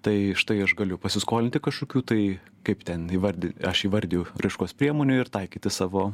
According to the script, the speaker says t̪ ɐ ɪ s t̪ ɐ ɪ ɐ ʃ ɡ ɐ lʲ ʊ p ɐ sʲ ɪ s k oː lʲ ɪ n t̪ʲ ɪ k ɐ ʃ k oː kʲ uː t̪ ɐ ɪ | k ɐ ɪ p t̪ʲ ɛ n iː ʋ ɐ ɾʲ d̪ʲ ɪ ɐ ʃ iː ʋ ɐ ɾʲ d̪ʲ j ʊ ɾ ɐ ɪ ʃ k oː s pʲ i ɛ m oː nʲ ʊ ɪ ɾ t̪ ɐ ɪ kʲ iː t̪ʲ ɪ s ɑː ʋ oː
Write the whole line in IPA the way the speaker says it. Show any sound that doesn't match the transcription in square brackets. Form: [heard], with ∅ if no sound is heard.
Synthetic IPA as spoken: t̪ ɐ ɪ [ʃ] t̪ ɐ ɪ ɐ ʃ ɡ ɐ lʲ ʊ p ɐ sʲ ɪ s k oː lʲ ɪ n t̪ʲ ɪ k ɐ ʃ k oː kʲ uː t̪ ɐ ɪ | k ɐ ɪ p t̪ʲ ɛ n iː ʋ ɐ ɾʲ d̪ʲ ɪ ɐ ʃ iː ʋ ɐ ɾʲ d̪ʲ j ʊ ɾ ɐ ɪ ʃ k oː s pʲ i ɛ m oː nʲ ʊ ɪ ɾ t̪ ɐ ɪ kʲ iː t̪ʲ ɪ s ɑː ʋ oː